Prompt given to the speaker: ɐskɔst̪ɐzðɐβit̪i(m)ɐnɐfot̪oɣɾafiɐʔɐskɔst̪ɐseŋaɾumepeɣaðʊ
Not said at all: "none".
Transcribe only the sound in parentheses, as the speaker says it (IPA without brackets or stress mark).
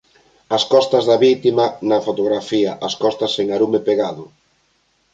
m